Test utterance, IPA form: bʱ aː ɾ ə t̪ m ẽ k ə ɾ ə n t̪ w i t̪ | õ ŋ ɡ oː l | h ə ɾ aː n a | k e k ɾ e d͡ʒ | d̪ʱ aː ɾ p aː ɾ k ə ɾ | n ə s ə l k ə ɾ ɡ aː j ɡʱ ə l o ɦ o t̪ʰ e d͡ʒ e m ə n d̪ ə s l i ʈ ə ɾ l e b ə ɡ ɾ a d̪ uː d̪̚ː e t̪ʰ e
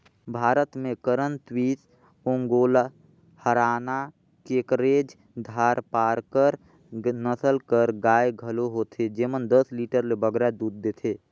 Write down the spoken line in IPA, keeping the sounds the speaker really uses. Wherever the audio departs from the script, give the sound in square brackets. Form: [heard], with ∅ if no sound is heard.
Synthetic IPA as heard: bʱ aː ɾ ə t̪ m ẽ k ə ɾ ə n t̪ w i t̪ | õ ŋ ɡ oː l | h ə ɾ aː n a | k e k ɾ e d͡ʒ | d̪ʱ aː ɾ p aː ɾ k ə ɾ | n ə s ə l k ə ɾ ɡ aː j ɡʱ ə l o ɦ o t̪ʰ e d͡ʒ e m ə n d̪ ə s l i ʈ ə ɾ l e b ə ɡ ɾ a d̪ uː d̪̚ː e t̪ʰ e